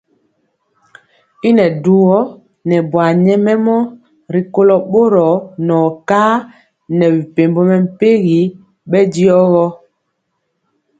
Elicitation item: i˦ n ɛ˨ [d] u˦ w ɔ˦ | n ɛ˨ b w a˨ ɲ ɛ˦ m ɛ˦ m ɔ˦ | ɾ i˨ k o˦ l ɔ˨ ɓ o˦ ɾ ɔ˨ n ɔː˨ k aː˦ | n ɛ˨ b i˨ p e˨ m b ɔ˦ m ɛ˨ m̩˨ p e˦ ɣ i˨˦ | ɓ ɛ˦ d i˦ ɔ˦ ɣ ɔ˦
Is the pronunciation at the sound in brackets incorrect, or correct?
correct